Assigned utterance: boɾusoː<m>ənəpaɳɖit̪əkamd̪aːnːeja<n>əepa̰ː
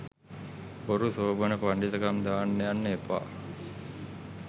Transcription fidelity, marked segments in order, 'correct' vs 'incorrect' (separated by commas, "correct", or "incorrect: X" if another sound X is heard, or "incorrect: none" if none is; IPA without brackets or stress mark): incorrect: b, incorrect: nː